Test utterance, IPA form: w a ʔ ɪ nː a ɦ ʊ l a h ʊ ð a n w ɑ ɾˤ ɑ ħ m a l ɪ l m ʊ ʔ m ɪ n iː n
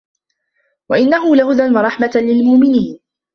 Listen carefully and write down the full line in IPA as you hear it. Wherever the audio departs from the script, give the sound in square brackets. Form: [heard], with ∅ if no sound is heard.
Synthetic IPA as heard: w a ʔ ɪ nː a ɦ ʊ l a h ʊ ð a n w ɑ ɾˤ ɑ ħ m a l ɪ l m ʊ ʔ m ɪ n iː n

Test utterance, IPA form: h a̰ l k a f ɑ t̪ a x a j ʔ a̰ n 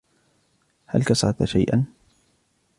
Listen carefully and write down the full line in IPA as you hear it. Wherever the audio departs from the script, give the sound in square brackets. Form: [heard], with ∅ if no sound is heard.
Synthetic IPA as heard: h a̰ l k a [s] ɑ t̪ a [ʃ] a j ʔ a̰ n

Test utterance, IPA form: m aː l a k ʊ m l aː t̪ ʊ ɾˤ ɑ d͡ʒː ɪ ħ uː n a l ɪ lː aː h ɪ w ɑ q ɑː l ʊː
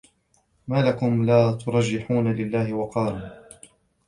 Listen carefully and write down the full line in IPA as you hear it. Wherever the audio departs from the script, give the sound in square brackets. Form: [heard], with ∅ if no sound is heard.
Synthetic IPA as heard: m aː l a k ʊ m l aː t̪ ʊ ɾˤ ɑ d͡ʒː ɪ ħ uː n a l ɪ lː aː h ɪ w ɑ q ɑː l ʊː

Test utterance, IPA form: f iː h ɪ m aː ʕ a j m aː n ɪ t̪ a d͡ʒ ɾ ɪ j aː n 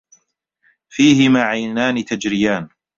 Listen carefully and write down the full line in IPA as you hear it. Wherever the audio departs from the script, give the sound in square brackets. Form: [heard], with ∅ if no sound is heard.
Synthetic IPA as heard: f iː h ɪ m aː ʕ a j [n] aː n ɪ t̪ a d͡ʒ ɾ ɪ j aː n

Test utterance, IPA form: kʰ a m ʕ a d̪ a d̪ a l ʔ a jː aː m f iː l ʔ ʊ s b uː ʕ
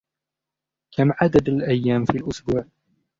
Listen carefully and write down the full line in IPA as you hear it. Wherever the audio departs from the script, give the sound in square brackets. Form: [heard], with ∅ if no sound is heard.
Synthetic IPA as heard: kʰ a m ʕ a d̪ a d̪ a l ʔ a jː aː m f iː l ʔ ʊ s b uː ʕ

